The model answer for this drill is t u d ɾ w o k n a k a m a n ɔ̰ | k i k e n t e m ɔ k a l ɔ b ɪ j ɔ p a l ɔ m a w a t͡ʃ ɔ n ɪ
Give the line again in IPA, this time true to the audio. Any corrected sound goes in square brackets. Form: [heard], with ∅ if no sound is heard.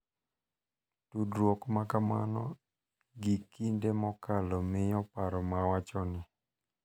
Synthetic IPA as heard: t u d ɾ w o k [m] a k a m a n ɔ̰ | [ɡ] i k [i] n [d] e m ɔ k a l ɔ [m] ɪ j ɔ p a [ɾ] ɔ m a w a t͡ʃ ɔ n ɪ

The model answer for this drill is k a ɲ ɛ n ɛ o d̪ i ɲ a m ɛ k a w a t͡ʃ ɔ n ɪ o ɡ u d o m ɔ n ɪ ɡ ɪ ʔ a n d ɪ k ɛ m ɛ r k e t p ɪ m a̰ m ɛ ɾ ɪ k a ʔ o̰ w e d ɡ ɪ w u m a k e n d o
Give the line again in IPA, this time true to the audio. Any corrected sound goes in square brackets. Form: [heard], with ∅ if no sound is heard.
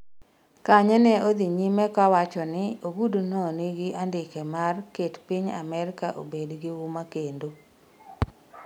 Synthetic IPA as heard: k a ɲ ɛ n ɛ o d̪ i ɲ [i] m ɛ k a w a t͡ʃ ɔ n ɪ o ɡ u d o [n] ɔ n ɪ ɡ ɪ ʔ a n d ɪ k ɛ m [a] r k e t p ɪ [ɲ] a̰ m ɛ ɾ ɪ k a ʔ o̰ [b] e d ɡ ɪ w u m a k e n d o

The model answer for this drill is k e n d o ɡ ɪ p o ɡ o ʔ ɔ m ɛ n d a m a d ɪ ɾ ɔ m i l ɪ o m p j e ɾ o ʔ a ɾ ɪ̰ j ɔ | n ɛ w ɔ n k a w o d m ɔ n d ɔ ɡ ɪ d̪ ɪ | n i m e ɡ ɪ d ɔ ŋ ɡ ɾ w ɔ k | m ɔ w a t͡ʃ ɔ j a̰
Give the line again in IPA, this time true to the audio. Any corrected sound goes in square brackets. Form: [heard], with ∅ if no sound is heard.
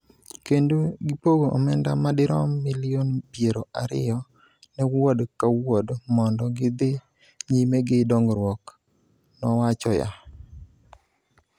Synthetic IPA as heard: k e n d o ɡ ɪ p o ɡ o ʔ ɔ m ɛ n d a m a d ɪ ɾ ɔ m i l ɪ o [n] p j e ɾ o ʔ a ɾ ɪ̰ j ɔ | n ɛ w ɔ [d] k a w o d m ɔ n d ɔ ɡ ɪ d̪ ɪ | [ɲ] i m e ɡ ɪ d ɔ ŋ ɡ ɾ w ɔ k | [n] ɔ w a t͡ʃ ɔ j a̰

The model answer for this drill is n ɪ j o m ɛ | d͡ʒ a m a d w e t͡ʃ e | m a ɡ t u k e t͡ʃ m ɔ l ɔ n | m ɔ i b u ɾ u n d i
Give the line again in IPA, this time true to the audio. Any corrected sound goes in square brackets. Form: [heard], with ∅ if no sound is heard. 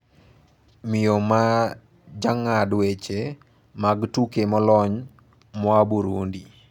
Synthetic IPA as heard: [m] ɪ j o m [a] | d͡ʒ a [ŋ] a d w e t͡ʃ e | m a ɡ t u k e [∅] m ɔ l ɔ [ɲ] | m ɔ [a] b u ɾ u n d i

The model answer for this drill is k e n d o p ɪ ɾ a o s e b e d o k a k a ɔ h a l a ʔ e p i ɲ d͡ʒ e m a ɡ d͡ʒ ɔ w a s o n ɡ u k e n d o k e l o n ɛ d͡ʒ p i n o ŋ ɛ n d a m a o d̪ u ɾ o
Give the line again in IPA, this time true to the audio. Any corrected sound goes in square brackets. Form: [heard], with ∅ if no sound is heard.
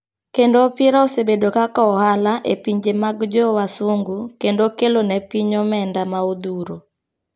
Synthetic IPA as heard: k e n d o p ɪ ɾ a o s e b e d o k a k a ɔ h a l a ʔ e p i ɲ d͡ʒ e m a ɡ d͡ʒ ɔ w a s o [ŋ] ɡ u k e n d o k e l o n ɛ [∅] p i [ɲ] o [m] ɛ n d a m a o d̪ u ɾ o

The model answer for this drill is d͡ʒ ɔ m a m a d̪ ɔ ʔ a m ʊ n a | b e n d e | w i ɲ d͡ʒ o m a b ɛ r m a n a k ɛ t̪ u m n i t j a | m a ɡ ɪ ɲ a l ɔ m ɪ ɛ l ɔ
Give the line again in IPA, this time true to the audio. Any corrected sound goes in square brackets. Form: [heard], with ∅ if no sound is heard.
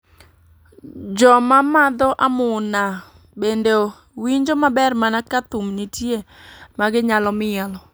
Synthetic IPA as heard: d͡ʒ ɔ m a m a d̪ ɔ ʔ a m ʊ n a | b e n d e | w i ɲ d͡ʒ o m a b ɛ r m a n a k [a] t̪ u m n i t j [e] | m a ɡ ɪ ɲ a l ɔ m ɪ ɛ l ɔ

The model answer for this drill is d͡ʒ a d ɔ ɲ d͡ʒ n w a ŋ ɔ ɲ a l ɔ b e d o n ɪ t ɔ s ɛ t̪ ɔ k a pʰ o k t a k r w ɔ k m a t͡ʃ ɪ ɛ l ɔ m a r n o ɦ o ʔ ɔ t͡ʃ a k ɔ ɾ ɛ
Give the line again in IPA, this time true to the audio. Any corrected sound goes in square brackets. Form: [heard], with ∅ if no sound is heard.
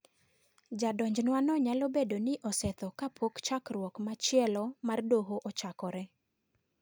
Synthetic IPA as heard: d͡ʒ a d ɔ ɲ d͡ʒ n w a [n] ɔ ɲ a l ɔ b e d o n ɪ [ʔ] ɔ s ɛ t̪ ɔ k a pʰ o k [t͡ʃ] a k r w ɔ k m a t͡ʃ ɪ ɛ l ɔ m a r [d] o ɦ o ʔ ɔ t͡ʃ a k ɔ ɾ ɛ

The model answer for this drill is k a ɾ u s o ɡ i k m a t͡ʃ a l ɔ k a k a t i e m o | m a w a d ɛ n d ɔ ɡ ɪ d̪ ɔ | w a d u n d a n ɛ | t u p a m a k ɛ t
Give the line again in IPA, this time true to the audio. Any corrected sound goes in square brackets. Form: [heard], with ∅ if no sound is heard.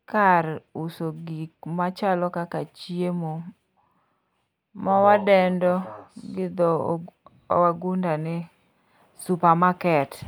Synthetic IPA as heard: k a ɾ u s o ɡ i k m a t͡ʃ a l ɔ k a k a [t͡ʃ] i e m o | m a w a d ɛ n d ɔ ɡ ɪ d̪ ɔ | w a [ɡ] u n d a n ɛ | [s] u p a m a k ɛ t

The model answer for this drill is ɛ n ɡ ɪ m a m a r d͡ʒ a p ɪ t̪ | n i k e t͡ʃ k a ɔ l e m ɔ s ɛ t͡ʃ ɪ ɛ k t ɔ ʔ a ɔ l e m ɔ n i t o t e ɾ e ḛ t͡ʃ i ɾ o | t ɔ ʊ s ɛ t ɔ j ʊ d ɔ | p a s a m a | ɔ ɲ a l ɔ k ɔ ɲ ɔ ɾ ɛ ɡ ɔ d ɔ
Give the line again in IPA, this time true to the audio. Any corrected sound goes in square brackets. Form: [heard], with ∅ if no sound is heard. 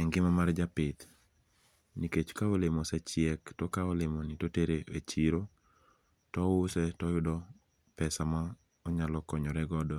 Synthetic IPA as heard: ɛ [ŋ] ɡ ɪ m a m a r d͡ʒ a p ɪ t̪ | n i k e t͡ʃ k a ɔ l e m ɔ s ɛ t͡ʃ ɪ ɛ k t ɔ [k] a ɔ l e m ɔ n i t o t e ɾ e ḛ t͡ʃ i ɾ o | t ɔ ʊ s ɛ t ɔ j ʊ d ɔ | p [ɛ] s a m a | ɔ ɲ a l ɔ k ɔ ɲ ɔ ɾ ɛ ɡ ɔ d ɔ

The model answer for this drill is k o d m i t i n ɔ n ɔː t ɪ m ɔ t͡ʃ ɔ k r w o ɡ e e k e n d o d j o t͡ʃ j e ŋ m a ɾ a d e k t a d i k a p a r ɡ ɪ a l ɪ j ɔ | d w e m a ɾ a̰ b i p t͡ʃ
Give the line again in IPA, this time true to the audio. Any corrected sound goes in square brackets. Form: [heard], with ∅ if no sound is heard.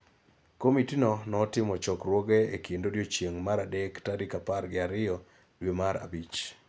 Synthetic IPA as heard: k o [∅] m i t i n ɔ n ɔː t ɪ m ɔ t͡ʃ ɔ k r w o ɡ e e k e n d o d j o t͡ʃ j e ŋ m a ɾ a d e k t a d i k a p a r ɡ ɪ a [ɾ] ɪ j ɔ | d w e m a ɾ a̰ b i [∅] t͡ʃ

